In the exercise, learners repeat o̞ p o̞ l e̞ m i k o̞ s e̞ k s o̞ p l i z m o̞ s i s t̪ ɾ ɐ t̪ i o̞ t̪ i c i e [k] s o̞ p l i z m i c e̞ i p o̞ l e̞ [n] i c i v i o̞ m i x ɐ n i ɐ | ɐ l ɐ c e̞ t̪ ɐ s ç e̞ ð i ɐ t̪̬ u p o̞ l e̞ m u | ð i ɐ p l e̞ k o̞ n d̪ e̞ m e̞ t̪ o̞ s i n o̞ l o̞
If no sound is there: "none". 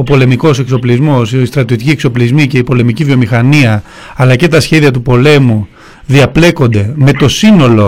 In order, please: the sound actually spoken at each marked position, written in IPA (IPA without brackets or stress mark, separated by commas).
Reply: k, m